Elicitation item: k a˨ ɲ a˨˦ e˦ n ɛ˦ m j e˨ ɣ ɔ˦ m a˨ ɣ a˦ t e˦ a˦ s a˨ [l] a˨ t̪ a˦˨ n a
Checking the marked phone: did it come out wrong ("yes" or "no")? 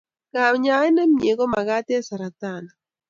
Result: yes